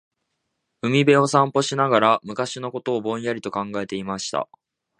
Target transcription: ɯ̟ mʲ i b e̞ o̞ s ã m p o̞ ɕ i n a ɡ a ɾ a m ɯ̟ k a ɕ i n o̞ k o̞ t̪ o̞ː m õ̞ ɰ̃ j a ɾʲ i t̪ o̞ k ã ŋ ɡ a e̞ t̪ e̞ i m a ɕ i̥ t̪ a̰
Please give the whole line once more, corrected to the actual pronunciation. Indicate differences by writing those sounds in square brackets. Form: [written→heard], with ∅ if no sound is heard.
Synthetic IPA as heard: ɯ̟ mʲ i b e̞ o̞ s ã m p o̞ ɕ i n a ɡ a ɾ a m ɯ̟ k a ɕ i n o̞ k o̞ t̪ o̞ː [m→b] õ̞ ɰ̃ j a ɾʲ i t̪ o̞ k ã ŋ ɡ a e̞ t̪ e̞ i m a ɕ i̥ t̪ a̰